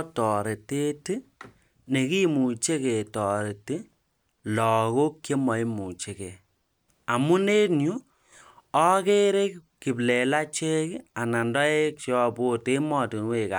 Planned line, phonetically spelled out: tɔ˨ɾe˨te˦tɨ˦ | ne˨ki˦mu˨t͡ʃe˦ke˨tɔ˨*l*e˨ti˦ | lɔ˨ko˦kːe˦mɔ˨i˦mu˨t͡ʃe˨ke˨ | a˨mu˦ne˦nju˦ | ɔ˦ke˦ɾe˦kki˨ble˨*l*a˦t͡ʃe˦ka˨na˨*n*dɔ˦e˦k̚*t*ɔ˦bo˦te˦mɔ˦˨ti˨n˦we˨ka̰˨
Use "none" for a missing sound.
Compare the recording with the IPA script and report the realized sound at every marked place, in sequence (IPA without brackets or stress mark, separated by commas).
ɾ, l, n, t͡ʃ